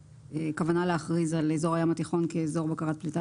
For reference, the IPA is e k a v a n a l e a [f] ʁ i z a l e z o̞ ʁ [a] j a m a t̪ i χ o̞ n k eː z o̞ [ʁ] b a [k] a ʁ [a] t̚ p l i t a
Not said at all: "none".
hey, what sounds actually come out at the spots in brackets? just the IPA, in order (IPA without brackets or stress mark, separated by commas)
χ, a, ʁ, k, a